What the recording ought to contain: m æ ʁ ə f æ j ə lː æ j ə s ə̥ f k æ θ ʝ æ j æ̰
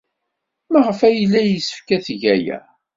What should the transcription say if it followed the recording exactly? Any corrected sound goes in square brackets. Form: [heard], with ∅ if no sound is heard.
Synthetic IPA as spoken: m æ ʁ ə f æ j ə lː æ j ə s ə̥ f k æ θ ʝ æ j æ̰